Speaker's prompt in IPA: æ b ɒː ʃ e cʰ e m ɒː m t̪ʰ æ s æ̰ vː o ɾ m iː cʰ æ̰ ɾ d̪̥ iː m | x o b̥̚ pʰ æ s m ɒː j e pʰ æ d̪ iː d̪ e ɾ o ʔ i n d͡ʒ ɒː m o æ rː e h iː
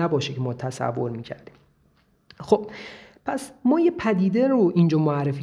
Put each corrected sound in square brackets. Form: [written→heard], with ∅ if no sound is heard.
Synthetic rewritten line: æ b ɒː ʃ e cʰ e m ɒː [m→∅] t̪ʰ æ s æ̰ vː o ɾ m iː cʰ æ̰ ɾ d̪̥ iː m | x o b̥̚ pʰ æ s m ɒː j e pʰ æ d̪ iː d̪ e ɾ o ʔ i n d͡ʒ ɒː m o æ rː e [h→f] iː